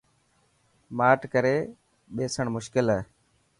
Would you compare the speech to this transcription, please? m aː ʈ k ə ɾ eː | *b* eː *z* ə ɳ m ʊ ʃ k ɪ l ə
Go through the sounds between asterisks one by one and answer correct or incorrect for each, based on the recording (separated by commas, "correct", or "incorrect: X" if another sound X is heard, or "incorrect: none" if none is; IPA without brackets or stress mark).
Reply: incorrect: ɓ, incorrect: s